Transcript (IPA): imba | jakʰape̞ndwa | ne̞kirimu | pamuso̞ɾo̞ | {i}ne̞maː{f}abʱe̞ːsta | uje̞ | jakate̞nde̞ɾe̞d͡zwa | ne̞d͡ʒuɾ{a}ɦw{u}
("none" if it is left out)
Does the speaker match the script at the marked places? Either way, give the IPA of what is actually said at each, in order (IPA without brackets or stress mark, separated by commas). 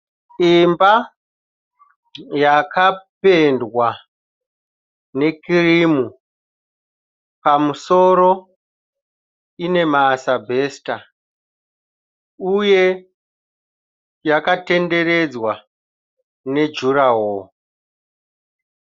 i, s, a, o